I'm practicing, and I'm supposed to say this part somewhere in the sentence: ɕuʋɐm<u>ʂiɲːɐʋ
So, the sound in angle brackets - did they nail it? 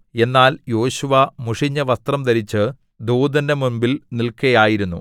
yes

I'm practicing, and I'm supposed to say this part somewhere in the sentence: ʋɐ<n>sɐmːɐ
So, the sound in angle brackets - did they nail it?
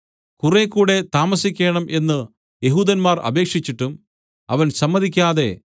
yes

